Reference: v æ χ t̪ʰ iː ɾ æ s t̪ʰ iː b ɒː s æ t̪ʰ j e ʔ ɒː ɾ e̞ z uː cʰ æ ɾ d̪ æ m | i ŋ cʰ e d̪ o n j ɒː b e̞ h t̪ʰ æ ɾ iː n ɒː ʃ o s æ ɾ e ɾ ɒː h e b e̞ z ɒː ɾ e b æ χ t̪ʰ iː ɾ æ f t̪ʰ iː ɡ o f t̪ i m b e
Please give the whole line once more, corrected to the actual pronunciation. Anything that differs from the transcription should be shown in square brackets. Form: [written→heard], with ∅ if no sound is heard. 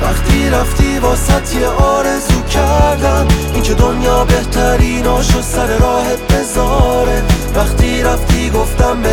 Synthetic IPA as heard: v æ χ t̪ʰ iː ɾ æ [s→f] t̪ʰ iː b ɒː s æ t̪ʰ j e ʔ ɒː ɾ e̞ z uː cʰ æ ɾ d̪ æ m | i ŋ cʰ e d̪ o n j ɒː b e̞ h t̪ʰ æ ɾ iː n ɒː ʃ o s æ ɾ e ɾ ɒː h e b e̞ z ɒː ɾ e [b→v] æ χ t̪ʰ iː ɾ æ f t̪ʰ iː ɡ o f t̪ [i→æ] m b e